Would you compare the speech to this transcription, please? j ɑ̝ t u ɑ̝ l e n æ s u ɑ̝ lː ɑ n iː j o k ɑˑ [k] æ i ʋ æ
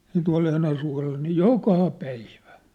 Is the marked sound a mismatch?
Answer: yes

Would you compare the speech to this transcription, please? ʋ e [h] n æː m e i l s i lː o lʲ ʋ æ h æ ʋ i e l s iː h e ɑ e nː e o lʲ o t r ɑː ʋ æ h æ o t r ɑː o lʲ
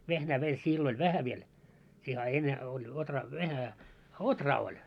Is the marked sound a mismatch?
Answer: no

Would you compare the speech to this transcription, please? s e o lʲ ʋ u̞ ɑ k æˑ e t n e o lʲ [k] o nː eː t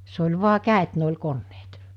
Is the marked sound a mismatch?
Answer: no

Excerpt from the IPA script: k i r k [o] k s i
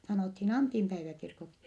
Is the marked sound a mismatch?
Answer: no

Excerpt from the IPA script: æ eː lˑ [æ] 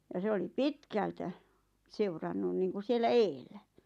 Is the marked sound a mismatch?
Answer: no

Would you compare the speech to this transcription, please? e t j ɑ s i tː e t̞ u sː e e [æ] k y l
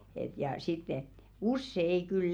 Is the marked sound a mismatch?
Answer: yes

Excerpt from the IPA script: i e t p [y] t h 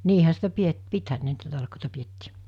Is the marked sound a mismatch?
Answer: yes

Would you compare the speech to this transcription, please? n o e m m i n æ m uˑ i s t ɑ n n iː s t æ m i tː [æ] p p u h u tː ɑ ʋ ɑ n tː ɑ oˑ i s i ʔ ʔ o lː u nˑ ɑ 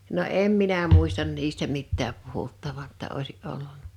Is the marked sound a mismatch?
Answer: yes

